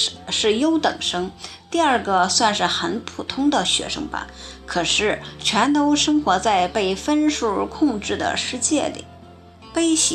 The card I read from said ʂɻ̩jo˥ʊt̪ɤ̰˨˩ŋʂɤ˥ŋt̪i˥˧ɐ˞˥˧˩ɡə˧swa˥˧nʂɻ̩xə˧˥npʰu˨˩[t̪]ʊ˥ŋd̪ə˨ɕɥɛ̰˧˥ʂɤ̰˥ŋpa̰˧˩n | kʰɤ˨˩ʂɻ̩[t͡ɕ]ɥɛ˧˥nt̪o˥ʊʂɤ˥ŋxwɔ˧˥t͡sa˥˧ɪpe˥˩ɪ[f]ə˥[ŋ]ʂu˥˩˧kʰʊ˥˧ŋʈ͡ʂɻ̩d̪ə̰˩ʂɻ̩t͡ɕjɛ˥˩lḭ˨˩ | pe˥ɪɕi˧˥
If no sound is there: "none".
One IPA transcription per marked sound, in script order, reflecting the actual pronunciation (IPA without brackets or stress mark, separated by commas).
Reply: t̪ʰ, t͡ɕʰ, f, n